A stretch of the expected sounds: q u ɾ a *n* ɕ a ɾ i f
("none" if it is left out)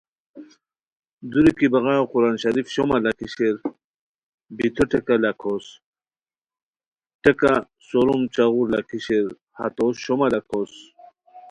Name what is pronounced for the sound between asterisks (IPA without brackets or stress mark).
n